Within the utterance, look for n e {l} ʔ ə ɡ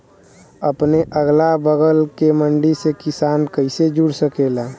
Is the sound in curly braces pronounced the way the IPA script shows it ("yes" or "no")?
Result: no